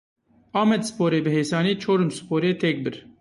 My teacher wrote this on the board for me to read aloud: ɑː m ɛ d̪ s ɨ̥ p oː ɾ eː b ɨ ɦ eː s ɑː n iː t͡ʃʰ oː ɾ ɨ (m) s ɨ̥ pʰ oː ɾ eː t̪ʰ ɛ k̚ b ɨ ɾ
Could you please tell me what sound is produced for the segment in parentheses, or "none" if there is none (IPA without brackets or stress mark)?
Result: m